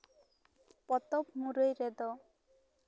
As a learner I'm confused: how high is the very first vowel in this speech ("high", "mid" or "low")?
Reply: mid